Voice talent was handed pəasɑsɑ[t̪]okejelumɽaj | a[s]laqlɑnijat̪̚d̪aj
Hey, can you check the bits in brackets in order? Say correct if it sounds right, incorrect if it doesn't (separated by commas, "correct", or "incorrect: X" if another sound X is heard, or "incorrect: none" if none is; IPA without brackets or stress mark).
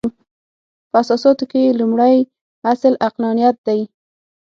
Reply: correct, correct